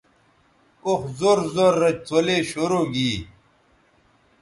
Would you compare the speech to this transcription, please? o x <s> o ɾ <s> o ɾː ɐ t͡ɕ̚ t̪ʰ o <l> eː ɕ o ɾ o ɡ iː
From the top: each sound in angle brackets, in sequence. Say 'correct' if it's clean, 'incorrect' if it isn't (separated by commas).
incorrect, incorrect, correct